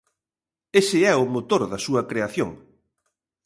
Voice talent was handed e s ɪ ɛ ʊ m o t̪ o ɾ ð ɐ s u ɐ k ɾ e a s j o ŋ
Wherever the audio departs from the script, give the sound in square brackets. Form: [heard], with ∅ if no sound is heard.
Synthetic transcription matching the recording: e s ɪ ɛ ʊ m o t̪ o ɾ ð ɐ s u ɐ k ɾ e a [θ] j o ŋ